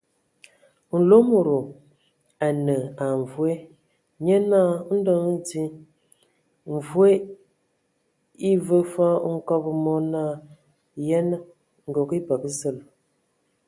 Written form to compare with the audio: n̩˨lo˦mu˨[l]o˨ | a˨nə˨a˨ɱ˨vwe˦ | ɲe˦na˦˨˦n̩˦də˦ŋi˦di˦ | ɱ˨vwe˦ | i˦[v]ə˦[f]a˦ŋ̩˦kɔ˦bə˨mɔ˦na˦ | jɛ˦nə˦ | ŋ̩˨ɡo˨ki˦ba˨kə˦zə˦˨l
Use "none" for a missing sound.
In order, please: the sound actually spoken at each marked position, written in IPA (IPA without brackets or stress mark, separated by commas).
ɾ, v, f